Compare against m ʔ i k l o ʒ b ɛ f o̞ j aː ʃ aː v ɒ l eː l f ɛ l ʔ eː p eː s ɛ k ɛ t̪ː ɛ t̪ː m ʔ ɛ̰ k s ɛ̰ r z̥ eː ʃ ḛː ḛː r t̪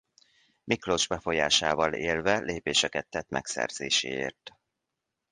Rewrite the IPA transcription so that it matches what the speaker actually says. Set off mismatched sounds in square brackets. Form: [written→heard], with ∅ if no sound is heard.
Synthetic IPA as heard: m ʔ i k l o ʒ b ɛ f o̞ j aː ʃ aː v ɒ l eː l [f→v] ɛ l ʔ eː p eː [s→ʃ] ɛ k ɛ t̪ː ɛ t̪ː m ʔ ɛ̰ k s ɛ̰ r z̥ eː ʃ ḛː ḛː r t̪